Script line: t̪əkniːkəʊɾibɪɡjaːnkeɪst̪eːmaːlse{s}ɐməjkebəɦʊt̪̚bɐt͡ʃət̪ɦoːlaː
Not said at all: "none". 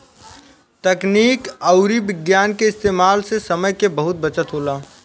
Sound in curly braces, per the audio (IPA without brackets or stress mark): s